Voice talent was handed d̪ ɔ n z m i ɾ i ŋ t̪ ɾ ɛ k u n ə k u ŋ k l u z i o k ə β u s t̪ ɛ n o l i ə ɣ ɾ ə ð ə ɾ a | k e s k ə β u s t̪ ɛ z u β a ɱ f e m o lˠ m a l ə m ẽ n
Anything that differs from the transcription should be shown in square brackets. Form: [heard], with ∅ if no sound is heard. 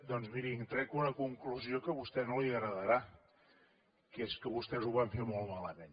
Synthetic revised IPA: d̪ ɔ n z m i ɾ i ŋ t̪ ɾ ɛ k u n ə k u ŋ k l u z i o k ə β u s t̪ ɛ n o l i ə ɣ ɾ ə ð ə ɾ a | k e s k ə β u s t̪ ɛ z u β a ɱ f e m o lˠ m a l ə m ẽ n